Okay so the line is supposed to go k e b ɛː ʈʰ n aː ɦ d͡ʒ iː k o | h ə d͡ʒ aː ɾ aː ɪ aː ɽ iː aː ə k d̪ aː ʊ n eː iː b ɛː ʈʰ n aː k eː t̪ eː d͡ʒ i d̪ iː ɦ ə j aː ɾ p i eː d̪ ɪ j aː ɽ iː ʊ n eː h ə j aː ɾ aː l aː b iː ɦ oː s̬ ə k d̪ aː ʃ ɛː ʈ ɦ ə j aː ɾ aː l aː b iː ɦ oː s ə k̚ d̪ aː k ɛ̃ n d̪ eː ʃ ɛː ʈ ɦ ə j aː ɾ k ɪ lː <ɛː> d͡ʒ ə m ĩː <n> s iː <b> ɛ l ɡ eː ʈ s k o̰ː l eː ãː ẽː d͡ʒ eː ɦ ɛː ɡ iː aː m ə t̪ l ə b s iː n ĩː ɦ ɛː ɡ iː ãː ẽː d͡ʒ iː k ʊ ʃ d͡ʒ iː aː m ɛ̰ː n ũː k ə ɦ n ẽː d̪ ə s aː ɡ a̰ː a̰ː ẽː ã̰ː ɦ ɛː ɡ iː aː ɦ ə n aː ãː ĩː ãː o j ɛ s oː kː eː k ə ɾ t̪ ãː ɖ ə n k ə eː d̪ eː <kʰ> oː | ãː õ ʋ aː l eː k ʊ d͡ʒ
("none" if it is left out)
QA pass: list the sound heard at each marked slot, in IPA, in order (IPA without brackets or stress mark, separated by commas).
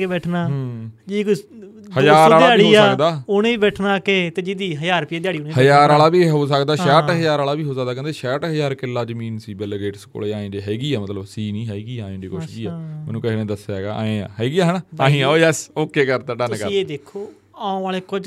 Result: aː, n, b, kʰ